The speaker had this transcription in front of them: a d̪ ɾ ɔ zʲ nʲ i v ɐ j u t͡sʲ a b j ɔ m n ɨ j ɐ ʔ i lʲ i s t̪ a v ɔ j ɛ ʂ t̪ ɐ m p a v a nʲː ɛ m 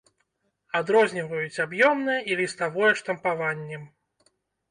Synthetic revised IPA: a d̪ ɾ ɔ zʲ nʲ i v ɐ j u t͡sʲ a b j ɔ m n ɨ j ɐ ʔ i lʲ i s t̪ a v ɔ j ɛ ʂ t̪ ɐ m p a v a nʲː ɛ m